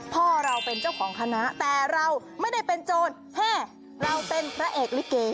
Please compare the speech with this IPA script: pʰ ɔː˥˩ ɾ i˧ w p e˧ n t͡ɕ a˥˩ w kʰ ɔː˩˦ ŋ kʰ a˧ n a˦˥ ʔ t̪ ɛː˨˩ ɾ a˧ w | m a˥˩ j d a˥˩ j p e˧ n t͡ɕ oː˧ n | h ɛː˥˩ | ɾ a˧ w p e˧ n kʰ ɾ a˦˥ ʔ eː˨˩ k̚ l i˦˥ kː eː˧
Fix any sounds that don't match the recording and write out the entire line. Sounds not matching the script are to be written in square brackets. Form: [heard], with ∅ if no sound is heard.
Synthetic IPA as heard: pʰ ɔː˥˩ ɾ [a˧] w p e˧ n t͡ɕ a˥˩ w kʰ ɔː˩˦ ŋ kʰ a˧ n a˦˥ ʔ t̪ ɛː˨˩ ɾ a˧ w | m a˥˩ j d a˥˩ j p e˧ n t͡ɕ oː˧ n | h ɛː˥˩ | ɾ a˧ w p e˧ n [pʰ] ɾ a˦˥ ʔ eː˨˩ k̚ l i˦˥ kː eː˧

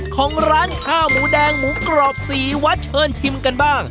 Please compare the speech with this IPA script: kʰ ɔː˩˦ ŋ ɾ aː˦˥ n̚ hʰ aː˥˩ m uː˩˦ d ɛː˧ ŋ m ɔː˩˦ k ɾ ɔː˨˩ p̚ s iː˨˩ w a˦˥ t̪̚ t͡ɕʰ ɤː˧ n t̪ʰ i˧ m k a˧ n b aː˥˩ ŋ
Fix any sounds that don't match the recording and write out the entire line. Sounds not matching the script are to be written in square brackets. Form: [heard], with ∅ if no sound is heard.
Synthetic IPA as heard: kʰ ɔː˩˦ ŋ ɾ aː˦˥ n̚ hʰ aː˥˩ m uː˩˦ d ɛː˧ ŋ m [uː˩˦] k ɾ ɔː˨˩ p̚ s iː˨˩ w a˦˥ t̪̚ t͡ɕʰ ɤː˧ n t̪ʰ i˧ m k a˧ n b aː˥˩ ŋ

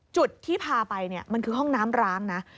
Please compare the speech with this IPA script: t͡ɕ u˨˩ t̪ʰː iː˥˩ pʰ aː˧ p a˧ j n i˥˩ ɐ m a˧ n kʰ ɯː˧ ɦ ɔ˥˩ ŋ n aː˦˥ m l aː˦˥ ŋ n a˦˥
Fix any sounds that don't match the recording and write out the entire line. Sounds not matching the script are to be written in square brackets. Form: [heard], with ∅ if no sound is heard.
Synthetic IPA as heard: t͡ɕ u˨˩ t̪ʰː iː˥˩ pʰ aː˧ p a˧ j n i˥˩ ɐ m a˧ n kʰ ɯː˧ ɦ ɔ˥˩ ŋ n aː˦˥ m [ɾ] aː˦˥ ŋ n a˦˥

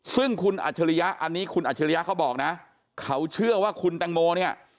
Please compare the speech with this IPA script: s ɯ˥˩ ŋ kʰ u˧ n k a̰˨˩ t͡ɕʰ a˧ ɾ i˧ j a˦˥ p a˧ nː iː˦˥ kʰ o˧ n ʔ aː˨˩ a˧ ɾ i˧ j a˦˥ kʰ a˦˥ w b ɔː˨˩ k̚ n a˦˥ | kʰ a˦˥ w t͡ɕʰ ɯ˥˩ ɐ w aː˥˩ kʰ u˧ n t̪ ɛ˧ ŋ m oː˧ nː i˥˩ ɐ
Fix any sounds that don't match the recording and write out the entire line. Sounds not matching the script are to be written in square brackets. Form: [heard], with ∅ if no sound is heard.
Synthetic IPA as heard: s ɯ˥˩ ŋ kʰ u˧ n [ʔ] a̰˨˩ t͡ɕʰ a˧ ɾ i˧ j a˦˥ [ʔ] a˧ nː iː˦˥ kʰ [u˧] n ʔ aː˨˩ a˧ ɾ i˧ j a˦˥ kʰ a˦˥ w b ɔː˨˩ k̚ n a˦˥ | kʰ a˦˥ w t͡ɕʰ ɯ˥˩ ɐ w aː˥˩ kʰ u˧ n t̪ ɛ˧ ŋ m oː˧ [n] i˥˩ ɐ

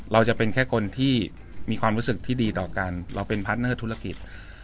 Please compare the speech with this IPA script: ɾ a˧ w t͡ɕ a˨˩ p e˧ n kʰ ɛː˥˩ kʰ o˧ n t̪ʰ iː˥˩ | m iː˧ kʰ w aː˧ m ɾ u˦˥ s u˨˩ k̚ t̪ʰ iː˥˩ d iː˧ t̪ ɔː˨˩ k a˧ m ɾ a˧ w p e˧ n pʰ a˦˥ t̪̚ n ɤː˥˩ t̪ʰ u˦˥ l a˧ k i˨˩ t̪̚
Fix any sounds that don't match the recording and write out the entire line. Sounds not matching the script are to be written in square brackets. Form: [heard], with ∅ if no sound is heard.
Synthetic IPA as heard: ɾ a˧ w t͡ɕ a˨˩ p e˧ n kʰ ɛː˥˩ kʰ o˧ n t̪ʰ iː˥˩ | m iː˧ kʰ w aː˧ m ɾ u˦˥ s [ɯ˨˩] k̚ t̪ʰ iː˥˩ d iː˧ t̪ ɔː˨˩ k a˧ [n] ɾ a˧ w p e˧ n pʰ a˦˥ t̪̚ n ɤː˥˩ t̪ʰ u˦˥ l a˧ k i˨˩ t̪̚

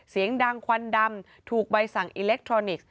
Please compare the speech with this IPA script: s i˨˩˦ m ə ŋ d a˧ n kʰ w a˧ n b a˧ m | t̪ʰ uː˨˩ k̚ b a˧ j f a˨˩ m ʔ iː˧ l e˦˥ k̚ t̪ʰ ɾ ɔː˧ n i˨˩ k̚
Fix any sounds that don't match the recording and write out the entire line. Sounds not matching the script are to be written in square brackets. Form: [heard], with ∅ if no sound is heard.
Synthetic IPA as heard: s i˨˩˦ [∅] ə ŋ d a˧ [ŋ] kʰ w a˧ n [d] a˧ m | t̪ʰ uː˨˩ k̚ b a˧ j [s] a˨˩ [ŋ] ʔ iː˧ l e˦˥ k̚ t̪ʰ ɾ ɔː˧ n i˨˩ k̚

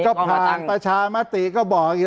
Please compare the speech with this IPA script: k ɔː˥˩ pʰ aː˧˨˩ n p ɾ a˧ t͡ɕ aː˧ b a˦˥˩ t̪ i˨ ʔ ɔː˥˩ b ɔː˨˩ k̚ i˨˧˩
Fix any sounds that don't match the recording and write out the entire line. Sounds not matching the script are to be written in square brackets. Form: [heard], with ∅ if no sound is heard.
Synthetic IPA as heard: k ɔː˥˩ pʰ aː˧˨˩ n p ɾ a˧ [t͡ɕʰ] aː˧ [m] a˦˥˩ t̪ i˨ [k] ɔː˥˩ b ɔː˨˩ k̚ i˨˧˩

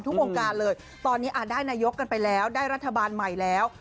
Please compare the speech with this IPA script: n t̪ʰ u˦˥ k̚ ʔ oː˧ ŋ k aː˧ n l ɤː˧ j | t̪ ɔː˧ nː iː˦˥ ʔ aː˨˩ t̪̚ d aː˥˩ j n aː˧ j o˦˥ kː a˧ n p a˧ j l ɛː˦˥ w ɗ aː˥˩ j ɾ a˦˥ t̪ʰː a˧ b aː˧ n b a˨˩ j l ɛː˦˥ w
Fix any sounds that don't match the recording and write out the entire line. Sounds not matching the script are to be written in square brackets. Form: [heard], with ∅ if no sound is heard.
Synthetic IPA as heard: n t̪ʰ u˦˥ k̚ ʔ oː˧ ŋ k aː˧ n l ɤː˧ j | t̪ ɔː˧ nː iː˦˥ ʔ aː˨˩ t̪̚ d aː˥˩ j n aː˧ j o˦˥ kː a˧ n p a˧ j l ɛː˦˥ w [d] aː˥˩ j ɾ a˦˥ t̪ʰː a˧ b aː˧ n [m] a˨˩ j l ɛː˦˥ w

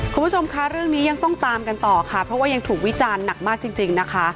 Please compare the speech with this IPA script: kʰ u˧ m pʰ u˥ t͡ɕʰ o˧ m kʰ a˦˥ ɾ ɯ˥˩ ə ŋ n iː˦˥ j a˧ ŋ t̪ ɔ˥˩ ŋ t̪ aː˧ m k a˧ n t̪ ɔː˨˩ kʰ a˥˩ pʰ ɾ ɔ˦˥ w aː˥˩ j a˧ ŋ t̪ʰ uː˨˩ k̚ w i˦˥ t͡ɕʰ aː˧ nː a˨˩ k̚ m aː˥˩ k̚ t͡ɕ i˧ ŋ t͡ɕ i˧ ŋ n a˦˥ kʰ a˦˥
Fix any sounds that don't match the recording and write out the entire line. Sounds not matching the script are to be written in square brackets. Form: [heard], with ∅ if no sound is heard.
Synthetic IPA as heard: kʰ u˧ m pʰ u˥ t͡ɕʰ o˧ m kʰ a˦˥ ɾ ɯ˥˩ ə ŋ n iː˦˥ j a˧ ŋ t̪ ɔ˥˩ ŋ t̪ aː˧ m k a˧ n t̪ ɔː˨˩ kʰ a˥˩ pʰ ɾ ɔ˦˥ w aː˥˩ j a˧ ŋ t̪ʰ uː˨˩ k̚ w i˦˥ [t͡ɕ] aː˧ nː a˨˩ k̚ m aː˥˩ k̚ t͡ɕ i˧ ŋ t͡ɕ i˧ ŋ n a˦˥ kʰ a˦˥

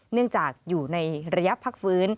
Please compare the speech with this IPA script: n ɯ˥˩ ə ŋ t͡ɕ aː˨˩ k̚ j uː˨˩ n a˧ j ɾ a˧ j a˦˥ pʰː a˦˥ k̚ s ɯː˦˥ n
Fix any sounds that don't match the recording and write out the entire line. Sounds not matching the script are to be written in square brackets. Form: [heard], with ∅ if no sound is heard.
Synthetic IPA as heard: n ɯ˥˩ ə ŋ t͡ɕ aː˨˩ k̚ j uː˨˩ n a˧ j ɾ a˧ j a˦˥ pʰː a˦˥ k̚ [f] ɯː˦˥ n

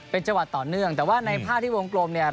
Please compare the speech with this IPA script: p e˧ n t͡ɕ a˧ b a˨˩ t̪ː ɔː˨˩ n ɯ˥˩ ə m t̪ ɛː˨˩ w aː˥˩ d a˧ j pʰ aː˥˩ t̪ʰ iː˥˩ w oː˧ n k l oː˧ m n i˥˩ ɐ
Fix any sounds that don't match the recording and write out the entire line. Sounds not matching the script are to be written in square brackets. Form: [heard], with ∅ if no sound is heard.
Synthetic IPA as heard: p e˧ n t͡ɕ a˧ [w] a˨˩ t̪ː ɔː˨˩ n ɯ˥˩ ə [ŋ] t̪ ɛː˨˩ w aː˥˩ [n] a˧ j pʰ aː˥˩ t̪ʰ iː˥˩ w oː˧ [ŋ] k l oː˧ m n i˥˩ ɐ

